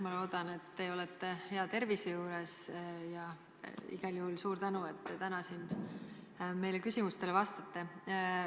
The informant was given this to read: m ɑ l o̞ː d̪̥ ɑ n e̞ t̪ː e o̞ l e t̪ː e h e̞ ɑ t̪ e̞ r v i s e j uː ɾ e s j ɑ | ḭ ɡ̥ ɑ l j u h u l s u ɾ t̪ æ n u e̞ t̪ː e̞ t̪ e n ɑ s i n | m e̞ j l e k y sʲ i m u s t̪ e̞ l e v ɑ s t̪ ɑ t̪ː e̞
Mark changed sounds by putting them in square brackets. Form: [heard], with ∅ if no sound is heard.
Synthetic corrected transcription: m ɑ l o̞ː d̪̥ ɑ n e̞ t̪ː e o̞ l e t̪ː e h e̞ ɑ t̪ e̞ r v i s e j uː ɾ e s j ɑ | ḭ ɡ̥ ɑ l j u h u l s [uː] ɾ t̪ æ n u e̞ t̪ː e̞ t̪ [æ] n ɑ s i n | m e̞ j l e k y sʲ i m u s t̪ e̞ l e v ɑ s t̪ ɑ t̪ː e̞